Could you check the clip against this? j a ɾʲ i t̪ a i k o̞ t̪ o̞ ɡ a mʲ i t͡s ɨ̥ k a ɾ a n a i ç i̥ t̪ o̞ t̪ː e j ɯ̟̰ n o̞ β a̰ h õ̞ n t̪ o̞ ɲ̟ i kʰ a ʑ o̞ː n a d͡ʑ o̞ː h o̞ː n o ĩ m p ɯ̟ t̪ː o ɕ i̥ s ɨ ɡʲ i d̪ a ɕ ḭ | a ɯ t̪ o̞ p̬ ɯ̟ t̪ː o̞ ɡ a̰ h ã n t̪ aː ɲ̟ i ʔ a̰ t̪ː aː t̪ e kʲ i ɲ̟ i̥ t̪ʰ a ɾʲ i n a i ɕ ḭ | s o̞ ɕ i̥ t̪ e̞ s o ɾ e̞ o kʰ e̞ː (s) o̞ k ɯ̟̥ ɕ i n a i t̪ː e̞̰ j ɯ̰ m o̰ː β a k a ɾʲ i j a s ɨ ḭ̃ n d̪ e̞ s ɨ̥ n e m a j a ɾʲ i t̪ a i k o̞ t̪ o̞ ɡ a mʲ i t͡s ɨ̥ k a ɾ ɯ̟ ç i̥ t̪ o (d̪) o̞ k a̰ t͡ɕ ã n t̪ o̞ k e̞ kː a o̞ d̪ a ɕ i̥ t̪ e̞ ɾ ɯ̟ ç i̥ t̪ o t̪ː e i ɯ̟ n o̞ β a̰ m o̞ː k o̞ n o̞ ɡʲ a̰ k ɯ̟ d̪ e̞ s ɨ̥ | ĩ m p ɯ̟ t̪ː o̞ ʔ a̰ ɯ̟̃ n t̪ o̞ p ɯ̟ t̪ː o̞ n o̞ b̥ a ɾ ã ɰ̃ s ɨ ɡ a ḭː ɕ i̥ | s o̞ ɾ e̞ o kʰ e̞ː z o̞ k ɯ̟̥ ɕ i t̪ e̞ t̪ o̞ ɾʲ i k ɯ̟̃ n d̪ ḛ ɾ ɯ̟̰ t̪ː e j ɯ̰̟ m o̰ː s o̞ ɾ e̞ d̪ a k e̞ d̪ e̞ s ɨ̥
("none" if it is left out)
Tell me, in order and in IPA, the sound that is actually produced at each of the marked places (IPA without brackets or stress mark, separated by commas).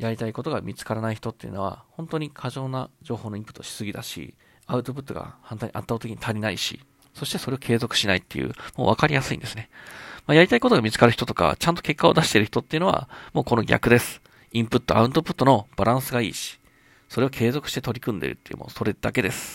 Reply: z, t̪